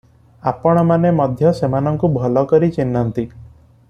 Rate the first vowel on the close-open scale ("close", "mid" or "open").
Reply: open